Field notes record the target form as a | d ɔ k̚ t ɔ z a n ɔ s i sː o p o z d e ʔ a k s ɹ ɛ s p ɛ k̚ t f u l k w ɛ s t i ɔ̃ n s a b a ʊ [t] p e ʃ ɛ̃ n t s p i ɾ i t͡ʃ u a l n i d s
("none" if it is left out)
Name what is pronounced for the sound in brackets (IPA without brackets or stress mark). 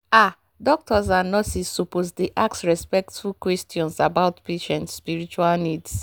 t